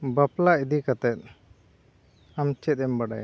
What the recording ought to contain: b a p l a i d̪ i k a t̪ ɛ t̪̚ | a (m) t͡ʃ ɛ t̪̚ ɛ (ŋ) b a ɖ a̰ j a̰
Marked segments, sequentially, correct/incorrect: correct, incorrect: m

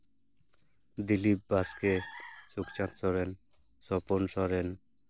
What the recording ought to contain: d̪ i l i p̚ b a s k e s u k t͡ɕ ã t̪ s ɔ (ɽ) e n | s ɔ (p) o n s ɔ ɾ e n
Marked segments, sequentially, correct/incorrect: incorrect: ɾ, correct

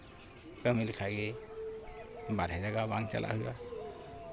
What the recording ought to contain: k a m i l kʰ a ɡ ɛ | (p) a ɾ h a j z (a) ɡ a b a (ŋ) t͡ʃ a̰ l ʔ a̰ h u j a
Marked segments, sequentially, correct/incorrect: incorrect: b, correct, correct

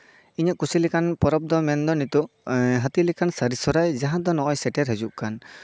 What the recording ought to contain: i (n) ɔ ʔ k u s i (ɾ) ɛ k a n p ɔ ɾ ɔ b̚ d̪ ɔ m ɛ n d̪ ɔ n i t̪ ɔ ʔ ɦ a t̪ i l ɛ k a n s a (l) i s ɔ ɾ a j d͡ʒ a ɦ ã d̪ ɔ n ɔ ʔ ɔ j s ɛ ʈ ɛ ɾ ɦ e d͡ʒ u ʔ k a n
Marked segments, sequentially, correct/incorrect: incorrect: ɲ, incorrect: l, incorrect: ɾ

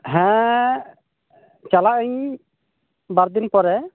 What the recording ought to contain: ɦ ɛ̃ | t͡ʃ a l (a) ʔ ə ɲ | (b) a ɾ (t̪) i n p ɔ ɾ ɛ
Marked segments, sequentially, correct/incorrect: correct, correct, incorrect: d̪

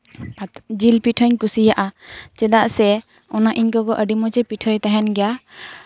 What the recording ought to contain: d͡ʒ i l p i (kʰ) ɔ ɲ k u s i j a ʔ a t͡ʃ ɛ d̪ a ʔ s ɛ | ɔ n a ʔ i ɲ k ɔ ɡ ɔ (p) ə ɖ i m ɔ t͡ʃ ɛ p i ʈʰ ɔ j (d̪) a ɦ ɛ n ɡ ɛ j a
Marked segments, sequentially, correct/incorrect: incorrect: ʈʰ, incorrect: ʔ, incorrect: t̪

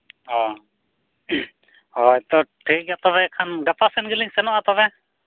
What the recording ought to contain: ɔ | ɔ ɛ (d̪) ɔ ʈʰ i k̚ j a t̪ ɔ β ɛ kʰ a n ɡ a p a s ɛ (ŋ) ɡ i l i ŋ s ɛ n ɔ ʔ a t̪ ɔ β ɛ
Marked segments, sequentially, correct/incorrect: incorrect: t̪, incorrect: n

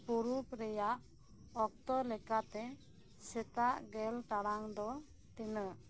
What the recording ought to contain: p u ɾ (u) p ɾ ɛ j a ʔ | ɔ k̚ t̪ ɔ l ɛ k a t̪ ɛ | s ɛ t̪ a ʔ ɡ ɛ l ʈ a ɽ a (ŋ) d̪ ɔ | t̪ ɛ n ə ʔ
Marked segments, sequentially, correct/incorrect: correct, correct

